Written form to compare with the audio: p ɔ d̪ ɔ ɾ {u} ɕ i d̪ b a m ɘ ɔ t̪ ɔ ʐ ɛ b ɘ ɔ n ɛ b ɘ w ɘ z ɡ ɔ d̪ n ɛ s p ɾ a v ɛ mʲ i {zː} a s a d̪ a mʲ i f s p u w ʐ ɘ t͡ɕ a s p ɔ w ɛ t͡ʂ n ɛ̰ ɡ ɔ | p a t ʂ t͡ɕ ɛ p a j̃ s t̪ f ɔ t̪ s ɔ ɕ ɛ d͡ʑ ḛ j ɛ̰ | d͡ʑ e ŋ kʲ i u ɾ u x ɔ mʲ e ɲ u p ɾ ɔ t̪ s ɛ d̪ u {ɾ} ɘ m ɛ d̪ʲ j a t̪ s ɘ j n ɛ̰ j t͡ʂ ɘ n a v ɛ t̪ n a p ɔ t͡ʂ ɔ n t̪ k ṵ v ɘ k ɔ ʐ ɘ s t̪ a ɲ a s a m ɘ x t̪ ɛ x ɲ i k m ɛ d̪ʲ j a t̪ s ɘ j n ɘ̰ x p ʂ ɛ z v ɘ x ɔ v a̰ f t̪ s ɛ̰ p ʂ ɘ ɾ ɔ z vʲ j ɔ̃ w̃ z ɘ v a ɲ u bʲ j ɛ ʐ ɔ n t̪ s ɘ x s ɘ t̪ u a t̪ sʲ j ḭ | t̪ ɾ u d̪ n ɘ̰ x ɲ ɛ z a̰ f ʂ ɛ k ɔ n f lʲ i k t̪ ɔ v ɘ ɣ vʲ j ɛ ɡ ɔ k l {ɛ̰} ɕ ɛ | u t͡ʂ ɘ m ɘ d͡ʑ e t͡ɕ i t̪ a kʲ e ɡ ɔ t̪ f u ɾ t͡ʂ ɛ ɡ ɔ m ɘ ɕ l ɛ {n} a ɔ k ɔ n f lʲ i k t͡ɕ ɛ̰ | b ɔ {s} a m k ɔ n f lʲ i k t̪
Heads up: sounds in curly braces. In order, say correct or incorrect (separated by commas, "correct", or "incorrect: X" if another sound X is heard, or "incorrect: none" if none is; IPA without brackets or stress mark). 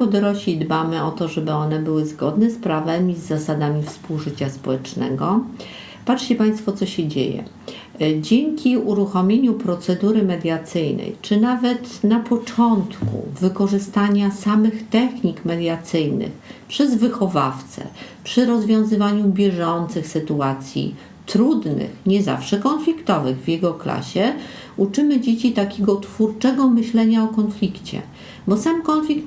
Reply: incorrect: ɔ, correct, correct, incorrect: a̰, incorrect: ɲ, correct